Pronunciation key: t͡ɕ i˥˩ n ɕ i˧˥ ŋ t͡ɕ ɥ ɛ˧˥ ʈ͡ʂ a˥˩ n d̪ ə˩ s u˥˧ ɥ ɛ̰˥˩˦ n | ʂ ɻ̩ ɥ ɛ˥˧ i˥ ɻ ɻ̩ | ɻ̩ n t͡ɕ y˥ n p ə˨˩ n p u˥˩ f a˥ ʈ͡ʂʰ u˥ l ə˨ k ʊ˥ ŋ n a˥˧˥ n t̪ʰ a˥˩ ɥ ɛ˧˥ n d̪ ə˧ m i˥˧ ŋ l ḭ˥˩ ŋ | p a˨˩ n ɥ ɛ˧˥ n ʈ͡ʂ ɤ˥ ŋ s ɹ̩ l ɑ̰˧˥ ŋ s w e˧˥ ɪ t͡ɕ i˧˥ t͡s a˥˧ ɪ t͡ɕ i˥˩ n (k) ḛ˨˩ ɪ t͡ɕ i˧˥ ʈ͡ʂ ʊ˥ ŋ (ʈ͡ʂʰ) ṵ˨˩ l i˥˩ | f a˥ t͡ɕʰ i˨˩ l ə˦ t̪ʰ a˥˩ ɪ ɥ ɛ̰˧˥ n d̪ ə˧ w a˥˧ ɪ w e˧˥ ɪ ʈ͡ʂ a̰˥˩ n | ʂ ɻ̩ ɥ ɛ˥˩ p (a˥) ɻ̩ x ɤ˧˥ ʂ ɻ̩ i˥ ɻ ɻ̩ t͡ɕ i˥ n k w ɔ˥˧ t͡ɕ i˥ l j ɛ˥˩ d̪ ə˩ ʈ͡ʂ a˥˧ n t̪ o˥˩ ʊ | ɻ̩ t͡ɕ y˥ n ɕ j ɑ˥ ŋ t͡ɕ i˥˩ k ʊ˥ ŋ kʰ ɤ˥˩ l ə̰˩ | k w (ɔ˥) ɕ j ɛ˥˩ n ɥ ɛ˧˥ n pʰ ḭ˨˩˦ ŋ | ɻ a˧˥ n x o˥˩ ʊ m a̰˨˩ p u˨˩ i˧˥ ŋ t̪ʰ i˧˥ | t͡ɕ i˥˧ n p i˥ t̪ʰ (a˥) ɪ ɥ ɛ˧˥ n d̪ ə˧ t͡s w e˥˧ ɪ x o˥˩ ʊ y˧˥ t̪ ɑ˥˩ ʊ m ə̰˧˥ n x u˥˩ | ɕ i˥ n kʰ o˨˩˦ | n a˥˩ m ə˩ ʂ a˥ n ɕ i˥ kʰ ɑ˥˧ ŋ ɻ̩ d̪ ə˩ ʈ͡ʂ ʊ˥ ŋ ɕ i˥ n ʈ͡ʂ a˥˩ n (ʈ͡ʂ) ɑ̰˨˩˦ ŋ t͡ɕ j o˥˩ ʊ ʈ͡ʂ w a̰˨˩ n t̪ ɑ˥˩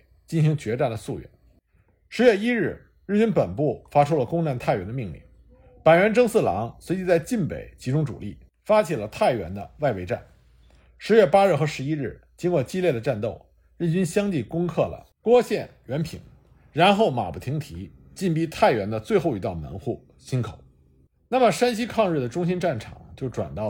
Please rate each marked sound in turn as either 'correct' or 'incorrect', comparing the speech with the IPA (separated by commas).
incorrect, incorrect, correct, correct, incorrect, incorrect